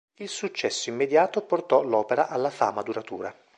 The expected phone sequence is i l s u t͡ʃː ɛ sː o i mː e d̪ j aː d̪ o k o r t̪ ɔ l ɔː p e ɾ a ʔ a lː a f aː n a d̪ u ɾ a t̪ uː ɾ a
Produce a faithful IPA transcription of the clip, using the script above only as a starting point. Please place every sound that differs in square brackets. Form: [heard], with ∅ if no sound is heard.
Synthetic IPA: i l s u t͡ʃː ɛ sː o i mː e d̪ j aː [t̪] o [p] o r t̪ ɔ l ɔː p e ɾ a ʔ a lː a f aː [m] a d̪ u ɾ a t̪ uː ɾ a